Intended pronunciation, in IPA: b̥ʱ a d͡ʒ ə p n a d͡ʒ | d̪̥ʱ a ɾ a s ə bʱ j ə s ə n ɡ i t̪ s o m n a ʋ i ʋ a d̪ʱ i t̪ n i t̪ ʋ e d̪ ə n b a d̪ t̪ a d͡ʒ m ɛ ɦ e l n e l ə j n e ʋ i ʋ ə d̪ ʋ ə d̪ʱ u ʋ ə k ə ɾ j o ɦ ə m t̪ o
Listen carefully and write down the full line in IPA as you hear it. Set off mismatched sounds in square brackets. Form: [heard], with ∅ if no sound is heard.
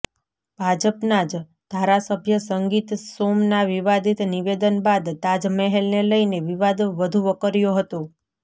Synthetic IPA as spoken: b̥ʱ a d͡ʒ ə p n a d͡ʒ | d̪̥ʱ a ɾ a s ə bʱ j ə s ə [ŋ] ɡ i t̪ s o m n a ʋ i ʋ a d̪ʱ i t̪ n i [∅] ʋ e d̪ ə n b a d̪ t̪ a d͡ʒ m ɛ ɦ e l n e l ə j n e ʋ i ʋ [a] d̪ ʋ ə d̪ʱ u ʋ ə k ə ɾ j o ɦ ə [∅] t̪ o